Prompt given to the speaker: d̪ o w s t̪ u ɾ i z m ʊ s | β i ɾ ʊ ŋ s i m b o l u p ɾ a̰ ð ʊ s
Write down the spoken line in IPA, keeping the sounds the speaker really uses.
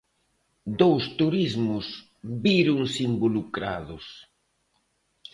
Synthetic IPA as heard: d̪ o w s t̪ u ɾ i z m ʊ s | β i ɾ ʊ ŋ s i m b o l u k ɾ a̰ ð ʊ s